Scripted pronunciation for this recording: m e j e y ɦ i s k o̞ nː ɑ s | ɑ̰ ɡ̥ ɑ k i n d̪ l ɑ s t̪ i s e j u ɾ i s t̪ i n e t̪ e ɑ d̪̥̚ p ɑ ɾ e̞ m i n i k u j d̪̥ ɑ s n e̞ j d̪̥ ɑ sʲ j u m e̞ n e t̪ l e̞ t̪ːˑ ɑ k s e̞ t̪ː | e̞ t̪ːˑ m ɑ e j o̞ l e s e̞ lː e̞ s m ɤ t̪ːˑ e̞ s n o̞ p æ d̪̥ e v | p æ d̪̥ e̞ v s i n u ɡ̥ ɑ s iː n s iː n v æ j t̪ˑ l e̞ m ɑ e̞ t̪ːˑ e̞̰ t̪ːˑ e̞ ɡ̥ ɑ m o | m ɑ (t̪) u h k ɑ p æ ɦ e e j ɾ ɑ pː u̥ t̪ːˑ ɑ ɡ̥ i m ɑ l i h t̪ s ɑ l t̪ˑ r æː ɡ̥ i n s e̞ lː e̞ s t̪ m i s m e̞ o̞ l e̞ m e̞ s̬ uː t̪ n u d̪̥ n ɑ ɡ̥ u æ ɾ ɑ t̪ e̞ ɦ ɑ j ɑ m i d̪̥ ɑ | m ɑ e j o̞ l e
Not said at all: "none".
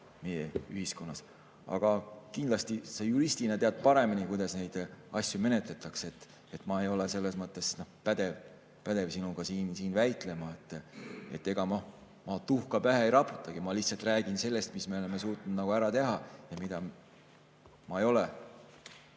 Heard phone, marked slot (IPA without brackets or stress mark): t̪